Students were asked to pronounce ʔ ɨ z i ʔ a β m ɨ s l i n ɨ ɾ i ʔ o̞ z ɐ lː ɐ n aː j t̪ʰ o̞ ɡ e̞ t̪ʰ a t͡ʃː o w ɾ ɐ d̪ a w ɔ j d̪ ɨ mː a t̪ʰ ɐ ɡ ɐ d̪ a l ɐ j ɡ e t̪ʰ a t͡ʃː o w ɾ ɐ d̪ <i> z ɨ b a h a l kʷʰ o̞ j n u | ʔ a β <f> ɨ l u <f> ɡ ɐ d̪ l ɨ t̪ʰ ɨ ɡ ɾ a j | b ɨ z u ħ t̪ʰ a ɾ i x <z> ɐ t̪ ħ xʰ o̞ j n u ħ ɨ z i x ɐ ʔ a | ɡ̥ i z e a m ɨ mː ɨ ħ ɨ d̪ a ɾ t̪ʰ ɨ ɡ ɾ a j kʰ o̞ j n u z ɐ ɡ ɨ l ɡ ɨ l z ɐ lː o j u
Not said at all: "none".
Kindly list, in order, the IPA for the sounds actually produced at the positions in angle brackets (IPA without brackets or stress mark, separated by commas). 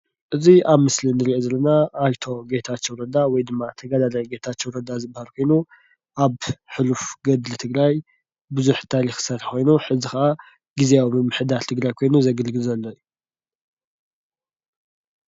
a, ħ, f, s